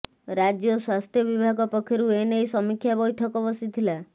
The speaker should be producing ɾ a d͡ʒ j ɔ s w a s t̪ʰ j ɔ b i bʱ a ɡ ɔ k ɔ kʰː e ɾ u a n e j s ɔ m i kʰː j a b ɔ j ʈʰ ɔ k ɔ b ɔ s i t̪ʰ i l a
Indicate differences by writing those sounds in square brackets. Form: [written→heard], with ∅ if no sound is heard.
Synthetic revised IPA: ɾ a d͡ʒ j ɔ s w a s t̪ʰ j ɔ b i bʱ a ɡ ɔ [k→p] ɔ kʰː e ɾ u [a→e] n e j s ɔ m i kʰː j a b ɔ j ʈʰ ɔ k ɔ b ɔ s i t̪ʰ i l a